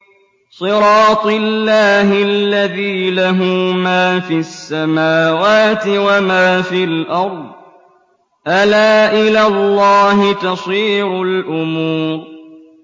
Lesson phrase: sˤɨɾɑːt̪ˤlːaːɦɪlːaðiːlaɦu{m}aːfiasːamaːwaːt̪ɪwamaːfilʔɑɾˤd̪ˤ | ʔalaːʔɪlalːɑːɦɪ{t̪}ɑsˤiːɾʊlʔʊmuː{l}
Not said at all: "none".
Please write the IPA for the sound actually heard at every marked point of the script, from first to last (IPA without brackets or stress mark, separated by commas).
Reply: m, t̪, ɾ